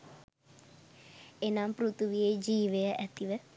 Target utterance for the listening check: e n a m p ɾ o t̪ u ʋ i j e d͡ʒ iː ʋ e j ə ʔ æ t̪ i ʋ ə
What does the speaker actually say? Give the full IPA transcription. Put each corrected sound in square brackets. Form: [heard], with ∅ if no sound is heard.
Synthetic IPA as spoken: e n a m p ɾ [u] t̪ u ʋ i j e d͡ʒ iː ʋ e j ə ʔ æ t̪ i ʋ ə